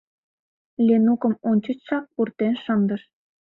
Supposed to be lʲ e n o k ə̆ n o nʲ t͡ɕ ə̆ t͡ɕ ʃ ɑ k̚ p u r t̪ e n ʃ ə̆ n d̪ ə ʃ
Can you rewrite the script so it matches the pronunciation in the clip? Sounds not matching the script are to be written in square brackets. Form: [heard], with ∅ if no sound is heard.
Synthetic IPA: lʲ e n [u] k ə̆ [m] o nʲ t͡ɕ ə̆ t͡ɕ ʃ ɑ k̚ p u r t̪ e n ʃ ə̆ n d̪ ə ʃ